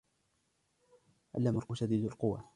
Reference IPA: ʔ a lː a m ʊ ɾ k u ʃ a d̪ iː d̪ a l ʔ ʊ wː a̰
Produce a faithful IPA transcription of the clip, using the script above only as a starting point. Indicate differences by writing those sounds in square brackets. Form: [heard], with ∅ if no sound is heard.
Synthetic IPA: ʔ a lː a m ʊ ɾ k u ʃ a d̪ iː d̪ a l [q] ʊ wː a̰